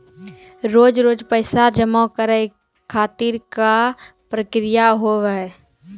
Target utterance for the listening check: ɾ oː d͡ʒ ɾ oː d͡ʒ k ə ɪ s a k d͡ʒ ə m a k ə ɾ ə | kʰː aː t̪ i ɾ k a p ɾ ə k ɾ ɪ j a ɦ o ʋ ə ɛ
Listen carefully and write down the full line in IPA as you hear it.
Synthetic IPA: ɾ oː d͡ʒ ɾ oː d͡ʒ p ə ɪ s a d͡ʒ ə m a k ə ɾ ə | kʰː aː t̪ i ɾ k a p ɾ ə k ɾ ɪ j a ɦ o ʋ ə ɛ